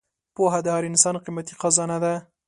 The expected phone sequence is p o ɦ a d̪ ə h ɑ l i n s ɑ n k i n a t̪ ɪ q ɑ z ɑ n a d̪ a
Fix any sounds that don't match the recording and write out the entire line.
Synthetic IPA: p o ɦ a d̪ ə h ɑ ɾ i n s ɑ n q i m a t̪ i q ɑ z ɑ n a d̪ a